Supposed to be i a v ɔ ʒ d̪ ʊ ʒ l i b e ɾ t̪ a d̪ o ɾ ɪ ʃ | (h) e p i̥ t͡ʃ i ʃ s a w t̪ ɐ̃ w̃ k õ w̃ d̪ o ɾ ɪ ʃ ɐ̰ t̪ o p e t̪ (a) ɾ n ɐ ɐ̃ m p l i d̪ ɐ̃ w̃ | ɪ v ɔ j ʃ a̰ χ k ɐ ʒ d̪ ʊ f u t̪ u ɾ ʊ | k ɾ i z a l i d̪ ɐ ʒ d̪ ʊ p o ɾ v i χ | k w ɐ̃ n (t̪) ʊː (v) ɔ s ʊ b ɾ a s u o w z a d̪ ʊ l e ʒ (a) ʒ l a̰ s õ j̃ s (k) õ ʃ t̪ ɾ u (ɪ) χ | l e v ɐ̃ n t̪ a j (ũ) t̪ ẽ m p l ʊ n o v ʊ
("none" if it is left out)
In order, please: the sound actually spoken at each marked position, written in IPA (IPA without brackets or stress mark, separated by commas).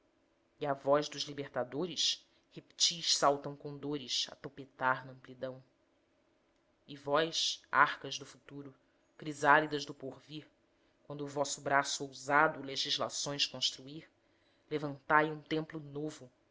h, a, d̪, v, i, k, i, ũ